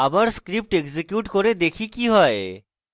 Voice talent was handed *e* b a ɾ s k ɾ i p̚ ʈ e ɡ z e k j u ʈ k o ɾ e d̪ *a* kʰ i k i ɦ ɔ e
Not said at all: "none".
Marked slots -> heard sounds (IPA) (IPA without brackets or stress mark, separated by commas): a, e